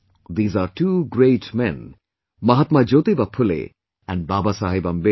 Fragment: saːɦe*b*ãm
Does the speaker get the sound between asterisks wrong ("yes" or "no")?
no